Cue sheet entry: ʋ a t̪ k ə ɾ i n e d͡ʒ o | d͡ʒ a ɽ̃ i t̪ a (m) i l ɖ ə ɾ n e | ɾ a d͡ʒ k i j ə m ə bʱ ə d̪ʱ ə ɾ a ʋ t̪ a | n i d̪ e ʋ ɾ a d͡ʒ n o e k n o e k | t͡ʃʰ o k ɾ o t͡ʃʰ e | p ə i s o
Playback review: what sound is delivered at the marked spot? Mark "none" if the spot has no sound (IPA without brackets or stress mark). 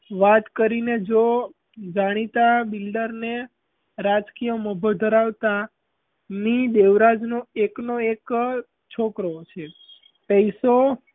b